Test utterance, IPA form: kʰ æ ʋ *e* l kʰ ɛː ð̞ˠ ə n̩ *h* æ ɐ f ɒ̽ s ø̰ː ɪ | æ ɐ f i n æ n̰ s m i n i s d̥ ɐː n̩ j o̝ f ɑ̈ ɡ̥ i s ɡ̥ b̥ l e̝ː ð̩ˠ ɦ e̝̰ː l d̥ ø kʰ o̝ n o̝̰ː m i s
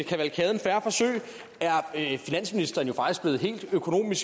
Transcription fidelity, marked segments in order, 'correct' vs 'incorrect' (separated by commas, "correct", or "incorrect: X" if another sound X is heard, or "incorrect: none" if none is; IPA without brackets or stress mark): incorrect: æ, incorrect: f